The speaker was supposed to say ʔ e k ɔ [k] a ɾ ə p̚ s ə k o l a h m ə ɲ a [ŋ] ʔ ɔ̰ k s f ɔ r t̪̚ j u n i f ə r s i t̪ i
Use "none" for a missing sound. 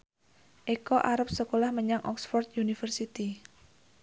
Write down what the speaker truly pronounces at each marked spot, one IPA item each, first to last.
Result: ʔ, ŋ

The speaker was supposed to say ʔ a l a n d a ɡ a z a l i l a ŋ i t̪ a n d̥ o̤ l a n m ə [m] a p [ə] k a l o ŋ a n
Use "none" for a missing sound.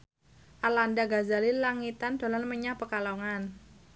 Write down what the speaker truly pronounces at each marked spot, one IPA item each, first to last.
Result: ɲ, ə

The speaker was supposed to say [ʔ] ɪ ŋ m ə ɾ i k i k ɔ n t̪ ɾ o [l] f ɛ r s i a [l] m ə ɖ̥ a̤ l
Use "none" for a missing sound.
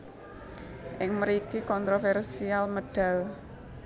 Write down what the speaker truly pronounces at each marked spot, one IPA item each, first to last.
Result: ʔ, none, l

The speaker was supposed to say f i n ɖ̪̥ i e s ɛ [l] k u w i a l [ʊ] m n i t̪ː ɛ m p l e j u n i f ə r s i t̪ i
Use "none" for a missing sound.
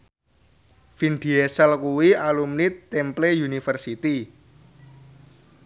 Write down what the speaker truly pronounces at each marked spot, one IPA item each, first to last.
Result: l, u

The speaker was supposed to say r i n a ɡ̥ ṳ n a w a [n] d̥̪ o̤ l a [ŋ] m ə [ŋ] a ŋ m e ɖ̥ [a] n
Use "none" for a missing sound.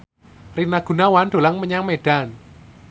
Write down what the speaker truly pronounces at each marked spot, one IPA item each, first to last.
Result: n, ŋ, ɲ, a

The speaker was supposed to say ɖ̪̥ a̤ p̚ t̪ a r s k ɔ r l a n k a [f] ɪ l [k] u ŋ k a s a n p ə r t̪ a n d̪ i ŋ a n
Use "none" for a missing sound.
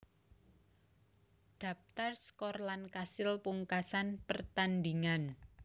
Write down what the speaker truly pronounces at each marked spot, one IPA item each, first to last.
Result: s, p

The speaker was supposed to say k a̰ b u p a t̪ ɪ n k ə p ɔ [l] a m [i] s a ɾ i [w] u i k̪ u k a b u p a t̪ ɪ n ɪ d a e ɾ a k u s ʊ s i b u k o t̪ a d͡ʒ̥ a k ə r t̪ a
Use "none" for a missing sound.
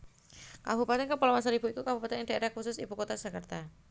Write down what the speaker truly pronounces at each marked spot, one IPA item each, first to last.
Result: l, a, b

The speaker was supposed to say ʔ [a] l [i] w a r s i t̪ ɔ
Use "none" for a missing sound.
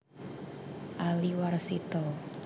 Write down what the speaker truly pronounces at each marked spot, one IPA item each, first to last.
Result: a, i

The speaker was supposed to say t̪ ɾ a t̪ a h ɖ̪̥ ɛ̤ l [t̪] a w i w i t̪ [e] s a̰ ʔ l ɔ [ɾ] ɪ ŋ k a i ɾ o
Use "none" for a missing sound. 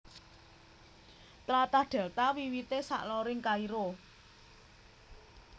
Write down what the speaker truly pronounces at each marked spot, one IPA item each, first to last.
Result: t̪, e, ɾ

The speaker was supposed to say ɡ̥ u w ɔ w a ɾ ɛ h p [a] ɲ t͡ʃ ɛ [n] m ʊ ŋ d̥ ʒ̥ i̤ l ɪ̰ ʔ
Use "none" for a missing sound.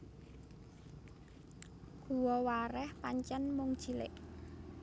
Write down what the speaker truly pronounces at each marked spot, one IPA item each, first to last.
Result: a, n

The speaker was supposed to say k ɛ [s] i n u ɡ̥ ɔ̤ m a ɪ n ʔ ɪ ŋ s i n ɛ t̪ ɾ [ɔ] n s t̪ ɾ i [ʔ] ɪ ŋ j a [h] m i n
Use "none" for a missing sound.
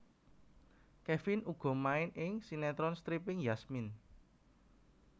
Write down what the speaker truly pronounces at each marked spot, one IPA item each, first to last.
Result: f, ɔ, p, s

